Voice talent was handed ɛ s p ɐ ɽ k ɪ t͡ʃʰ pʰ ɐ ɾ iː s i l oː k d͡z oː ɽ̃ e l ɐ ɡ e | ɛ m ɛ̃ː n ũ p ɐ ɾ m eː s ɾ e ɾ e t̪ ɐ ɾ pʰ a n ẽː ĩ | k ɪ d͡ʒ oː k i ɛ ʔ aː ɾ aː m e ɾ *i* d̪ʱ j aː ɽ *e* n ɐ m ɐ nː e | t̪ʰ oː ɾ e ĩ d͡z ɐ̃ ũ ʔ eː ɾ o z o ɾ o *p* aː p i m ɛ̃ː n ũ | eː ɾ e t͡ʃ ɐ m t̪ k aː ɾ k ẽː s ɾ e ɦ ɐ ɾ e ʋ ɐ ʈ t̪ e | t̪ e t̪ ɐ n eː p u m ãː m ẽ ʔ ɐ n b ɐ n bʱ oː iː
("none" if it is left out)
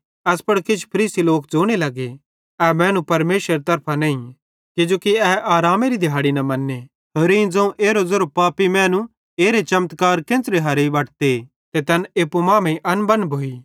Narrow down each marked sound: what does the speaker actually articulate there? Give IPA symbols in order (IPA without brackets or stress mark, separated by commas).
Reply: i, i, p